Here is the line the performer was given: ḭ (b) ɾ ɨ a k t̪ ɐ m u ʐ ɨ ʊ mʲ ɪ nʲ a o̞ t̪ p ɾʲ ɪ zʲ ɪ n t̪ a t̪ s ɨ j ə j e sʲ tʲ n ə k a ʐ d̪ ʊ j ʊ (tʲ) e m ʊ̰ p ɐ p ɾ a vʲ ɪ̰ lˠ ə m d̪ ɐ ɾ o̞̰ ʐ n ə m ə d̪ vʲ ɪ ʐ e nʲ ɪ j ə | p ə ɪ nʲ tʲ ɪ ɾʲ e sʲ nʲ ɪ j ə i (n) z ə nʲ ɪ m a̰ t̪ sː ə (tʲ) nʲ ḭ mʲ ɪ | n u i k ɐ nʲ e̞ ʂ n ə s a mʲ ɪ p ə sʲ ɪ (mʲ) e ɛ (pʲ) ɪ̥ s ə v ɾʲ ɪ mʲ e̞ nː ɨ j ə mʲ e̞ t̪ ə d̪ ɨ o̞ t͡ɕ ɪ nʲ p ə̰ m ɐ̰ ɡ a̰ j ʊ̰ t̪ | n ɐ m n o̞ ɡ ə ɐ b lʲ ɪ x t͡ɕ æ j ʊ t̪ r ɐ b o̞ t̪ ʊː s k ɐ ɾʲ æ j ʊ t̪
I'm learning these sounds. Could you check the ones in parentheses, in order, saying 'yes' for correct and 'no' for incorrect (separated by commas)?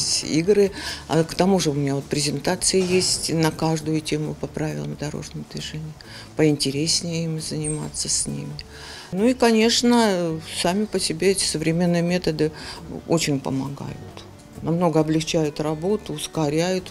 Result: no, yes, no, no, no, no